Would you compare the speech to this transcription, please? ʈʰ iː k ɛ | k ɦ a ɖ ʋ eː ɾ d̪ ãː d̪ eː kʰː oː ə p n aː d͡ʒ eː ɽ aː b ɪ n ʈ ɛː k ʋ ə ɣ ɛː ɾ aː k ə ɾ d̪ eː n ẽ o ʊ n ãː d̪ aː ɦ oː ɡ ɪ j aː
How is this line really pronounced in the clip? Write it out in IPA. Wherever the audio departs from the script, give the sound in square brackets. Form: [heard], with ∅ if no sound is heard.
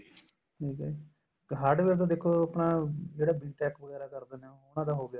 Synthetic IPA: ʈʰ iː k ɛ | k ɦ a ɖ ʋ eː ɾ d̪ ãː d̪ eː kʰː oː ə p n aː d͡ʒ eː ɽ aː b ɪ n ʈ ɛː k ʋ ə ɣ ɛː ɾ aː k ə ɾ d̪ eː n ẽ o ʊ n ãː d̪ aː ɦ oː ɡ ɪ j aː